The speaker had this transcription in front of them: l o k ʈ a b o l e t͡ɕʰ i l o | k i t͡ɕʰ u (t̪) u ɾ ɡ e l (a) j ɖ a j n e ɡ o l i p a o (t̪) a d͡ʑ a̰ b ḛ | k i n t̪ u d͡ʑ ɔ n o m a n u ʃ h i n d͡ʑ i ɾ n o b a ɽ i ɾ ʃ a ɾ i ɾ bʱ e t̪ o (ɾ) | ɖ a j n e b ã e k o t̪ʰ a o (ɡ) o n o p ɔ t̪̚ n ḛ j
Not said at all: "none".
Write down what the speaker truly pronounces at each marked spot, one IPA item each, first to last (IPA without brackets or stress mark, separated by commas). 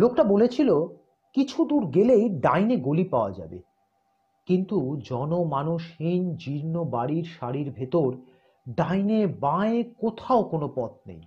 d̪, e, none, ɾ, k